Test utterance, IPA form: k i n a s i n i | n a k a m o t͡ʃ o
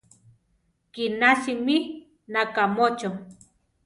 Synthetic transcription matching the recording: k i n a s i m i | n a k a m o t͡ʃ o